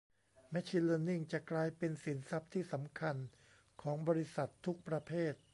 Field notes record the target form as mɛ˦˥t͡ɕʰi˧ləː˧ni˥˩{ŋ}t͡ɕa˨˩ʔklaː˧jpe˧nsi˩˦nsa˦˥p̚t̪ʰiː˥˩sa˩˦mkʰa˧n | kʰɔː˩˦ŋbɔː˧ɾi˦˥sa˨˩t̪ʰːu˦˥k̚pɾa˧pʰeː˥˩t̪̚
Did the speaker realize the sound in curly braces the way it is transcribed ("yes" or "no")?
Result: yes